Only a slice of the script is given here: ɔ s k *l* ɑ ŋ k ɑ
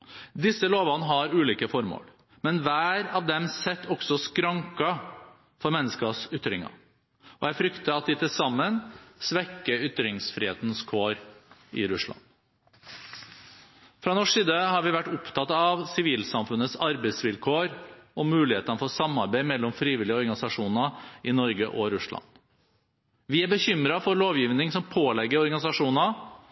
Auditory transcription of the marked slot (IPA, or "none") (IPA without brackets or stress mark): ɾ